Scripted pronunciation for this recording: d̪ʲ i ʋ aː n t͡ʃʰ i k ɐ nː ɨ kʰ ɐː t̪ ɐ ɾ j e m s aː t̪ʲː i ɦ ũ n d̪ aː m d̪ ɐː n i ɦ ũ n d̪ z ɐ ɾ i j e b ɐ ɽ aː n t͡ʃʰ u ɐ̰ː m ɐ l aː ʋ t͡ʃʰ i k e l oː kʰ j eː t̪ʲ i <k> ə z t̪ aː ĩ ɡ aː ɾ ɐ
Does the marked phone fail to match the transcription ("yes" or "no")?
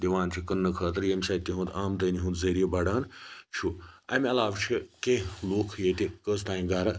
no